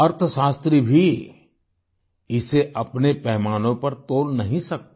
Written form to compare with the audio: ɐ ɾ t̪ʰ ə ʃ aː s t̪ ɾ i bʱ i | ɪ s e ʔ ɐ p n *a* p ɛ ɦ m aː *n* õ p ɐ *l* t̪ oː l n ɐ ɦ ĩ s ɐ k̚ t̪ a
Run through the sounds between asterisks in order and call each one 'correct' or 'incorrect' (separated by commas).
incorrect, correct, incorrect